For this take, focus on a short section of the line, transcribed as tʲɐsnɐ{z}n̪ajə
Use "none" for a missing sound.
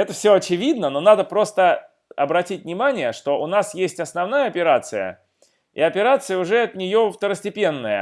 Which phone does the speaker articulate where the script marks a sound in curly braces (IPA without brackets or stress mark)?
v